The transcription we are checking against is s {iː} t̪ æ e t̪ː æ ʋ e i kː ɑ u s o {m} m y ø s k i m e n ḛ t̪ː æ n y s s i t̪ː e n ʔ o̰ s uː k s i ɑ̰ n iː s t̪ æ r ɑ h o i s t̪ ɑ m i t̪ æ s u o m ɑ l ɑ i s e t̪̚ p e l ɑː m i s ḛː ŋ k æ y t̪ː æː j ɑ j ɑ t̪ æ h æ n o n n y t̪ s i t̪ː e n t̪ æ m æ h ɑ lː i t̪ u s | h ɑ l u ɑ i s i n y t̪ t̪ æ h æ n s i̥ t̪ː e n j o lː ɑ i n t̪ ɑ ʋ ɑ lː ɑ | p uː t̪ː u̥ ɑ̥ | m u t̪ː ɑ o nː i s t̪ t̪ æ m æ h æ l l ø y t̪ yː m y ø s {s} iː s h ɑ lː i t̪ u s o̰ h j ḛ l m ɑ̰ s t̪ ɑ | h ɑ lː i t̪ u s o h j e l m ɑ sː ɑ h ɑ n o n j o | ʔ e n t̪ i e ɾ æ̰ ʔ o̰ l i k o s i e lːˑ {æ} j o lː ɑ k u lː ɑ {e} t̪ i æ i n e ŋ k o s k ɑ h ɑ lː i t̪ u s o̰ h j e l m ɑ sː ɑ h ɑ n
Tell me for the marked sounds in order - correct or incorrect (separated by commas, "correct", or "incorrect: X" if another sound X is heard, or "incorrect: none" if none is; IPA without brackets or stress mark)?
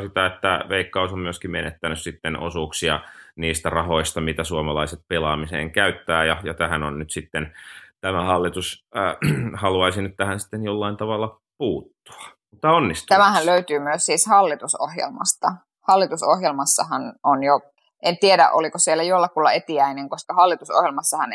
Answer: incorrect: i, correct, correct, correct, correct